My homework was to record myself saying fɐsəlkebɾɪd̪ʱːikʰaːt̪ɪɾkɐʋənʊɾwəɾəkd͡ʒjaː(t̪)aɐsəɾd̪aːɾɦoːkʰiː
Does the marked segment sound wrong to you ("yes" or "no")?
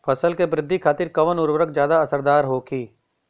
yes